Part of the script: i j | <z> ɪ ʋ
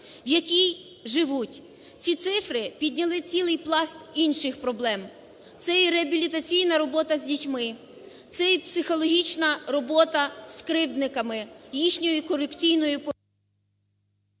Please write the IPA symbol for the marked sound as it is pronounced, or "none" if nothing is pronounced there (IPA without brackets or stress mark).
ʒ